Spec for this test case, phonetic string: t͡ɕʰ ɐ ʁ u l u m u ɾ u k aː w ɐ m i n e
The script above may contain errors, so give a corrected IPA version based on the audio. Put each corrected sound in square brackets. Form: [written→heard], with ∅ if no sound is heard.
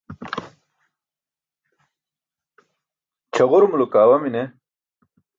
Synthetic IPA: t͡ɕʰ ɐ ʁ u [l→ɾ] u m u [ɾ→l] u k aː w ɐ m i n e